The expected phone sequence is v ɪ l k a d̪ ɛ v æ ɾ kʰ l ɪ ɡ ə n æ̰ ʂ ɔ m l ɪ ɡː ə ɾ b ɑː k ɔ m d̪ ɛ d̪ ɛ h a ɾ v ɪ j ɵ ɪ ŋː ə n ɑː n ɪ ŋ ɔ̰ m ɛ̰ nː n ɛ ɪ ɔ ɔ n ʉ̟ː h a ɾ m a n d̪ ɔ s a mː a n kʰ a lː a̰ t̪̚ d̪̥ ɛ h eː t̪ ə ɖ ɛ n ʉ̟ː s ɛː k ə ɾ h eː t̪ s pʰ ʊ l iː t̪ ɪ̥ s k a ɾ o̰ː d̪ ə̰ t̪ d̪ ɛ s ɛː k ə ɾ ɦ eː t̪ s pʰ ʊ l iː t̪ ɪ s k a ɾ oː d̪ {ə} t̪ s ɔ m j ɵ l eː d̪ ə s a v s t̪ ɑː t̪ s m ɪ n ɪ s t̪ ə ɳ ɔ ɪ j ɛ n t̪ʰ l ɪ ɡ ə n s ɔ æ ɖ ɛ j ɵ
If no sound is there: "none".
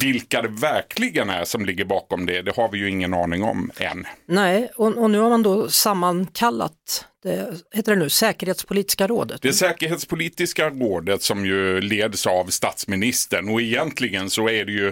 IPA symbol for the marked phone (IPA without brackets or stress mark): ə